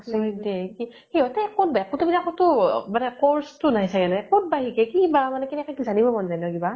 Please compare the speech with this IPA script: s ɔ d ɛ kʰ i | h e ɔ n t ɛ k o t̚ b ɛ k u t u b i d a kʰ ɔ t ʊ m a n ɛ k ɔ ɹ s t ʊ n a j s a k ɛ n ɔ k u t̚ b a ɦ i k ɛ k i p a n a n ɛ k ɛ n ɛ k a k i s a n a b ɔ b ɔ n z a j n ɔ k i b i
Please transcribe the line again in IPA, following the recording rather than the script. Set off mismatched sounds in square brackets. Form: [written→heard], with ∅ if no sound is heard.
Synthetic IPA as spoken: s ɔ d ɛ [kʰ→k] i | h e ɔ [n→∅] t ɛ k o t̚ b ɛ k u t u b i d a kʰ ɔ t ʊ m a n ɛ k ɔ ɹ s t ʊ n a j s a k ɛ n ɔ k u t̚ b a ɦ i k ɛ k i [p→b] a [n→m] a n ɛ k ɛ n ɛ k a k i [s→z] a n [a→i] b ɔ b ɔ n z a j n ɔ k i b [i→a]